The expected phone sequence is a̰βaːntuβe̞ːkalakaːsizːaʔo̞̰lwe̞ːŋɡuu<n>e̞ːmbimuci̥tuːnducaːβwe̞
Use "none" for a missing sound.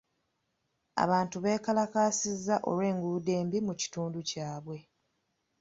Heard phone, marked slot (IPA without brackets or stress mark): d